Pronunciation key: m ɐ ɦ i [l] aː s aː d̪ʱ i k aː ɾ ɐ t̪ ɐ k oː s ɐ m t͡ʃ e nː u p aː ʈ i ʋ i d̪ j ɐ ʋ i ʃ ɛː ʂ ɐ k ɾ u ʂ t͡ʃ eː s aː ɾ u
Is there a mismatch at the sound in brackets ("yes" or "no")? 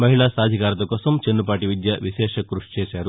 yes